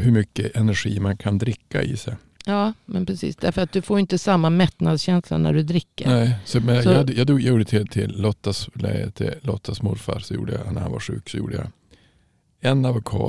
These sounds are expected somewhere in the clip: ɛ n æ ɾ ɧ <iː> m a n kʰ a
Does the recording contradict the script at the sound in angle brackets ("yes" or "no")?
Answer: no